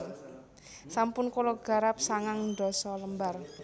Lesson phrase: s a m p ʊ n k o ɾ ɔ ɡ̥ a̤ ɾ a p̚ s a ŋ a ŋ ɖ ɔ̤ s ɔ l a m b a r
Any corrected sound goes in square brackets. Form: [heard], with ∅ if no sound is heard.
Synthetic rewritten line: s a m p ʊ n k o [l] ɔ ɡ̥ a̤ ɾ a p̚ s a ŋ a ŋ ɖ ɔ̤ s ɔ l [ə] m b a r